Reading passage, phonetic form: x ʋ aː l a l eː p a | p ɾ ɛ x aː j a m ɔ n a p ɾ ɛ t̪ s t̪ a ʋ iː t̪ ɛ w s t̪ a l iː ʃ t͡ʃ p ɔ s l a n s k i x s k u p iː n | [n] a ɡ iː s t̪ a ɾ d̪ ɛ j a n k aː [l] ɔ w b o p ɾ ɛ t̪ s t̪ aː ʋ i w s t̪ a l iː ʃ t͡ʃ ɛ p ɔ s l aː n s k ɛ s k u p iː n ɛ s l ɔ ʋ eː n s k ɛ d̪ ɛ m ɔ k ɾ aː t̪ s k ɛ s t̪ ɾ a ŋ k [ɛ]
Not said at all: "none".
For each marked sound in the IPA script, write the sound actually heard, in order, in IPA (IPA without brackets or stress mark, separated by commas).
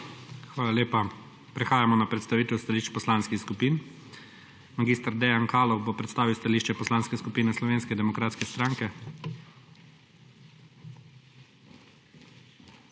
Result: m, l, ɛ